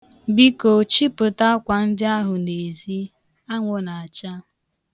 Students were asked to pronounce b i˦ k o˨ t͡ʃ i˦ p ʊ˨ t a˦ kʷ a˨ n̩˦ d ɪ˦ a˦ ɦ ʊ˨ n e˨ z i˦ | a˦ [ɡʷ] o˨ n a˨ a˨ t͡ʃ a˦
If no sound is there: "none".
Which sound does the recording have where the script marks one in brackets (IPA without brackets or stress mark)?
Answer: ŋʷ